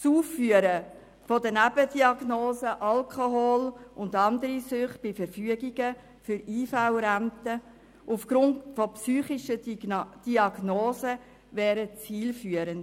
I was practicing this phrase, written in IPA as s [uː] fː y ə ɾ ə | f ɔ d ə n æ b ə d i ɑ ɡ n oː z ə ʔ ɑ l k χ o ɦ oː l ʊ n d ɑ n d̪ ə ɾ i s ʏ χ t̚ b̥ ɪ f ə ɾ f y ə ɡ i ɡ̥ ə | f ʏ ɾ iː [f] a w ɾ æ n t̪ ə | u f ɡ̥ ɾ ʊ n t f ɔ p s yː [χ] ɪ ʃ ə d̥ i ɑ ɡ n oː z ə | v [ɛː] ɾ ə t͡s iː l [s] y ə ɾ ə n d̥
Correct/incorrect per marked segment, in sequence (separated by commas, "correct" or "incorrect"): correct, correct, correct, correct, incorrect